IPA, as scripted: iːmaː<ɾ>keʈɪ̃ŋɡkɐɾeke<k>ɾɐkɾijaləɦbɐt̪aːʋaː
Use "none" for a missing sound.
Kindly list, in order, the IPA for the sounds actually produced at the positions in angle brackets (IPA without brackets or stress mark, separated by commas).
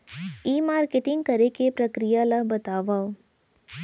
ɾ, p